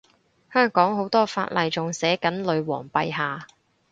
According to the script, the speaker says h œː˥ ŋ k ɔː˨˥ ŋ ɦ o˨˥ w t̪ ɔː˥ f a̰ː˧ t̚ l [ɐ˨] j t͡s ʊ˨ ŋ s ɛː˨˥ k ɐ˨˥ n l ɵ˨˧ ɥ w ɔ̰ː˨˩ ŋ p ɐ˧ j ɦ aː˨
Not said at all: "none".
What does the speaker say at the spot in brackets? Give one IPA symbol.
ɐ˨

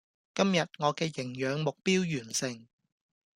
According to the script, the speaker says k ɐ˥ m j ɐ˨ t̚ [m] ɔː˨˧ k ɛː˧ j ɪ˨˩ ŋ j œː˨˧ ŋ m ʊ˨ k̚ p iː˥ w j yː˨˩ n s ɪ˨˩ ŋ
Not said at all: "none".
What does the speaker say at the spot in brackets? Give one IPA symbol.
ŋ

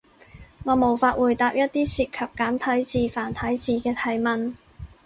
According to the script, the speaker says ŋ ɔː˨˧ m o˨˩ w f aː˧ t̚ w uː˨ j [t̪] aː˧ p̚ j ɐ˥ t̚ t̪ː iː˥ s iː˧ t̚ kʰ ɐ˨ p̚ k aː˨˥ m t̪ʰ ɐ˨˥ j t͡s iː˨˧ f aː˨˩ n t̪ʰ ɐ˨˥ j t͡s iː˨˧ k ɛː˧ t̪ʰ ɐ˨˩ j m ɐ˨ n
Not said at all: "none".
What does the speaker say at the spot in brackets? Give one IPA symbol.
t̪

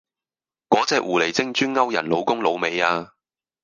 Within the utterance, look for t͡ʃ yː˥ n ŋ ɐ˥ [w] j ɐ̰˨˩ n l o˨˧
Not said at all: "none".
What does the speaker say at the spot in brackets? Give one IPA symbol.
w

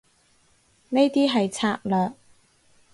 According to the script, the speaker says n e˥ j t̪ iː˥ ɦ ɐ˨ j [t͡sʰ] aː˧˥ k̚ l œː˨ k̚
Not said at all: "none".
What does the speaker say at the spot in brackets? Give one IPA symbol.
t͡sʰ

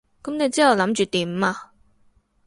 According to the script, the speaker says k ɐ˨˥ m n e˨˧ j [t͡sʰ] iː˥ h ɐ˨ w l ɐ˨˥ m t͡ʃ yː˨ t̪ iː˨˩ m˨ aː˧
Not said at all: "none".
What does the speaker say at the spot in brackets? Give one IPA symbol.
t͡s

